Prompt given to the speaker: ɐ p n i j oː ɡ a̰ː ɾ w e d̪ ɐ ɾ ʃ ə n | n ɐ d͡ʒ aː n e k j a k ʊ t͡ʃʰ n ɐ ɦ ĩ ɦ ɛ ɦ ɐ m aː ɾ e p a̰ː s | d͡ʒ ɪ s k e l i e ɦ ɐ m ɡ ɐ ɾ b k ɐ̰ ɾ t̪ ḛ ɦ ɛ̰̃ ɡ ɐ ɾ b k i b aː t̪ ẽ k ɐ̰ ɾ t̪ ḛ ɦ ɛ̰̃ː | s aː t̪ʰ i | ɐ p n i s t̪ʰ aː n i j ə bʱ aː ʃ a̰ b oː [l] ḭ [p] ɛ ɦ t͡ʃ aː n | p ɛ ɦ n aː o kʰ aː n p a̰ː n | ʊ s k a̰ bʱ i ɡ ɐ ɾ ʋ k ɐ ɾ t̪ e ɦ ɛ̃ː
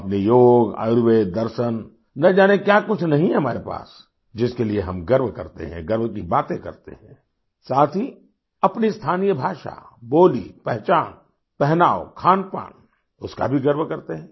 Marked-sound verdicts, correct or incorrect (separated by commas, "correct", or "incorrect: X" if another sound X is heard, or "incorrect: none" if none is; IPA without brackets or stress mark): correct, correct